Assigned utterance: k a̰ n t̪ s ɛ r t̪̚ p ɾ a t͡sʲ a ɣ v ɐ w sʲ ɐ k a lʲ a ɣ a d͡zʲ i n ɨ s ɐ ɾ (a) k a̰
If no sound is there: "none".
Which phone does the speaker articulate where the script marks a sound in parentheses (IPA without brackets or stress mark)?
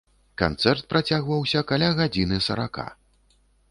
a